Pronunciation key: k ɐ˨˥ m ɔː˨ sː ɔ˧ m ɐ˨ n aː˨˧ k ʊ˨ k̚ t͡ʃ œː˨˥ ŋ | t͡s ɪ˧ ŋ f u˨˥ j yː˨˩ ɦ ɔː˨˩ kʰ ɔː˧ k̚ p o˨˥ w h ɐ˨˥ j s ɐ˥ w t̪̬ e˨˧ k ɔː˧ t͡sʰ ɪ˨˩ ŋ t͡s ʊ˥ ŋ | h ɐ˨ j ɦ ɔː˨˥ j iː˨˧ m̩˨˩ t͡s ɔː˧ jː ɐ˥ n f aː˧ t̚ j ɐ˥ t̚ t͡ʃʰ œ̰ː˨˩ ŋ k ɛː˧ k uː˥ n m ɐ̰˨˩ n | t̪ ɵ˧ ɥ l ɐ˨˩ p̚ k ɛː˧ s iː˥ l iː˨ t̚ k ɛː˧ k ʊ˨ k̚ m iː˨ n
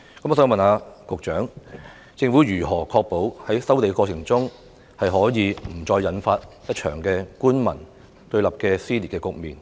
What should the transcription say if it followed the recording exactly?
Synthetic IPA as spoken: k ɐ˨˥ m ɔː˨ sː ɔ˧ m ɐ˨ n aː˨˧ k ʊ˨ k̚ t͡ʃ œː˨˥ ŋ | t͡s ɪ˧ ŋ f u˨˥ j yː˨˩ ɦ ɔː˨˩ kʰ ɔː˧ k̚ p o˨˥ w h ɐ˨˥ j s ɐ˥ w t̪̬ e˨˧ k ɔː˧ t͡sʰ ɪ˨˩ ŋ t͡s ʊ˥ ŋ | h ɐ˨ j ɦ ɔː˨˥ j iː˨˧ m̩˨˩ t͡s ɔː˧ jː ɐ˨˥ n f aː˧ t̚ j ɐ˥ t̚ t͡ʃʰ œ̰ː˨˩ ŋ k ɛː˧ k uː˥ n m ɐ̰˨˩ n | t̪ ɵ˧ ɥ l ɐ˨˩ p̚ k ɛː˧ s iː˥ l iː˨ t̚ k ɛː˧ k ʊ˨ k̚ m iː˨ n